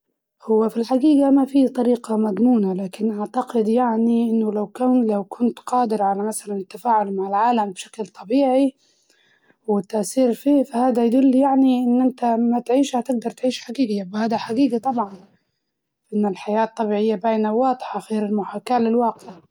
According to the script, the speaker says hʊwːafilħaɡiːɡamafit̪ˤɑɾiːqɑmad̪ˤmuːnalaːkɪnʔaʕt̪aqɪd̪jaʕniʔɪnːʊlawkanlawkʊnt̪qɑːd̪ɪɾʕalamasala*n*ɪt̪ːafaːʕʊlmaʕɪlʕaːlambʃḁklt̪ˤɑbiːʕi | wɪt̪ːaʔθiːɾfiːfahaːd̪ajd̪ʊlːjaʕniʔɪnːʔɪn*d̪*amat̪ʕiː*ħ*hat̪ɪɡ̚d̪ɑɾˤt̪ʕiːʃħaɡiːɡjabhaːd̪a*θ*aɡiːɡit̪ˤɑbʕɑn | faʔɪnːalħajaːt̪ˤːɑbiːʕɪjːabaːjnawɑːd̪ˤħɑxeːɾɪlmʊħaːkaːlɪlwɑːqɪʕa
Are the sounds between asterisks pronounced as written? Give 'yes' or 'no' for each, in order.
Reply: yes, no, no, no

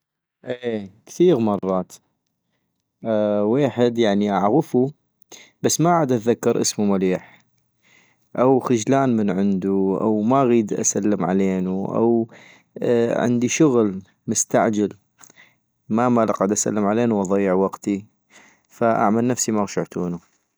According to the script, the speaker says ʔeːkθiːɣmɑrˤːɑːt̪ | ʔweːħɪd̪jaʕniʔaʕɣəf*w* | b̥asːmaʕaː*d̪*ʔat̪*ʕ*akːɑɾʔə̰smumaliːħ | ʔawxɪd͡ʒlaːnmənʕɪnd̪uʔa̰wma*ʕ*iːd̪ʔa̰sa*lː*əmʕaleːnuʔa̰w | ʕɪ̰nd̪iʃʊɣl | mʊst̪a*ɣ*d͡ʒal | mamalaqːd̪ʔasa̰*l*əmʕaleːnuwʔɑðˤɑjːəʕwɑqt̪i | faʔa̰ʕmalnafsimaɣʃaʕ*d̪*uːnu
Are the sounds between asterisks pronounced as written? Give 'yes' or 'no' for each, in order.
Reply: no, yes, no, no, yes, no, no, no

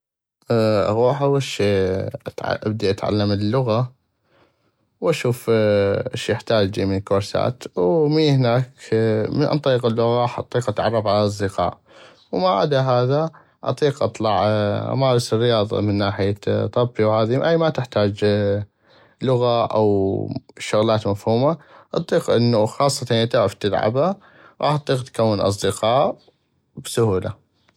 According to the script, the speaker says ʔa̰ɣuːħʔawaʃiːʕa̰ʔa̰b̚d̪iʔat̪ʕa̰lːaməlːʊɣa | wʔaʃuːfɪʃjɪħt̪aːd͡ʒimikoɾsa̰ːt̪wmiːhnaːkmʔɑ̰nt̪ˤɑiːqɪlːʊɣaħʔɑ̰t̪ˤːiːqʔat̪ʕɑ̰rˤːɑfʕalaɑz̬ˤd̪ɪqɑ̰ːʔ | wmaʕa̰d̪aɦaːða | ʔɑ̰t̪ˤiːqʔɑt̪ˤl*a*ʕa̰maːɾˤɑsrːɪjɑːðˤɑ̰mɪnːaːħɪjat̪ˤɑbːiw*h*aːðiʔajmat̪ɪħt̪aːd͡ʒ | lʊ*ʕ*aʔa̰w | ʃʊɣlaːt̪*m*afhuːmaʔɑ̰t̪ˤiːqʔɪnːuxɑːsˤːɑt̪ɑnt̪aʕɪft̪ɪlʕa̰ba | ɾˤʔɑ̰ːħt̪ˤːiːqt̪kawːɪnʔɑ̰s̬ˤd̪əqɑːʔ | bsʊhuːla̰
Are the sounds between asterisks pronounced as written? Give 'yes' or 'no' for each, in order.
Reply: no, yes, no, yes

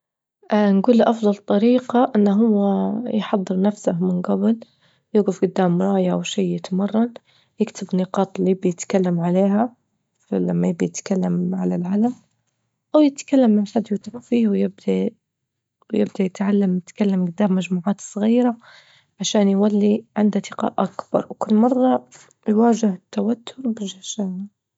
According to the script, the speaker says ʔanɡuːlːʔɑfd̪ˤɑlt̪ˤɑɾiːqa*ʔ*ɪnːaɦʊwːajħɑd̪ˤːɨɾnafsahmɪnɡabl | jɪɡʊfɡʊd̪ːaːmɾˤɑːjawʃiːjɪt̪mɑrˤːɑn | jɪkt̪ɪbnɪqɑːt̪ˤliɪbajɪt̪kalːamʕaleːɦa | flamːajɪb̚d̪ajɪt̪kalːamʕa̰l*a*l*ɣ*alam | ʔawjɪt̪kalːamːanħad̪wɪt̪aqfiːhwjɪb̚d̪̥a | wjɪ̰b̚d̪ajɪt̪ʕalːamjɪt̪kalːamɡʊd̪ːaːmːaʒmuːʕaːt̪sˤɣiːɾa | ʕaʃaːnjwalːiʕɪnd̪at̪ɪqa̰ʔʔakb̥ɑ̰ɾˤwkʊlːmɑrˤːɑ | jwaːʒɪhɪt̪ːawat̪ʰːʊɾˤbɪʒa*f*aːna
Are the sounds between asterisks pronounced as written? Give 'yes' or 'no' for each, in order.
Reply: yes, yes, no, no

